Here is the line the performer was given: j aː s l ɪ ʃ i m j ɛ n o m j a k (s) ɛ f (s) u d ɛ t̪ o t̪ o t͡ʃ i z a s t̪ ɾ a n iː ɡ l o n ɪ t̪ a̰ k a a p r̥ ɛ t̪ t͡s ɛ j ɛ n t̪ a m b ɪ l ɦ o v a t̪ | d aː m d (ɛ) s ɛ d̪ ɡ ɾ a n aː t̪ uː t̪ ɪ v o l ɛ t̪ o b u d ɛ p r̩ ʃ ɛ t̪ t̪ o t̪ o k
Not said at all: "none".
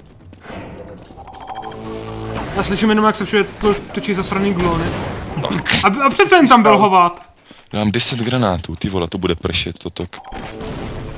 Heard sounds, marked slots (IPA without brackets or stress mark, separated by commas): s, ʃ, ɛ